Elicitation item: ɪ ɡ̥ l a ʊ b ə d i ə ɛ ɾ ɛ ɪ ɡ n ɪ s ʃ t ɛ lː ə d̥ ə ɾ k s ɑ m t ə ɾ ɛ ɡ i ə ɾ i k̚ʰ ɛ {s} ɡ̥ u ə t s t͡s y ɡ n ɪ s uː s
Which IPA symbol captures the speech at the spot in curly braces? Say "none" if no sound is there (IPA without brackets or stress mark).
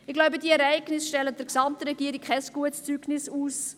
s